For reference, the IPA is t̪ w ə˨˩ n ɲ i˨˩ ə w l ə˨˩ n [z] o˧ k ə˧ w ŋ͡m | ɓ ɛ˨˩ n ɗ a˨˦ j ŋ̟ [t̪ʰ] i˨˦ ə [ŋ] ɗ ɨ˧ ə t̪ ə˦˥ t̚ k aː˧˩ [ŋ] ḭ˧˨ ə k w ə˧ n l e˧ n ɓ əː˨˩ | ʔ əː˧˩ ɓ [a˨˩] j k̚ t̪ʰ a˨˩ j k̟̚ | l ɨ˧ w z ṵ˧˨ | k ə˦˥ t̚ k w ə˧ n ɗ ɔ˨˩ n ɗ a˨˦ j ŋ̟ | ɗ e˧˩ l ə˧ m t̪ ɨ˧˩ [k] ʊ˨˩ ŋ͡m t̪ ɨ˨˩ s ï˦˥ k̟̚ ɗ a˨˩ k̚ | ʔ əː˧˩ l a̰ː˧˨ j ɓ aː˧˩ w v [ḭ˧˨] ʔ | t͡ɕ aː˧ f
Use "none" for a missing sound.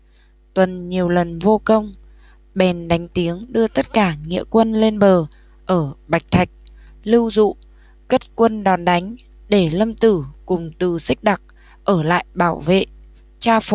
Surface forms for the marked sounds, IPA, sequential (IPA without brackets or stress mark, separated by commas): v, t̪, ŋ, ŋ, a˨˩, k, ḛ˧˨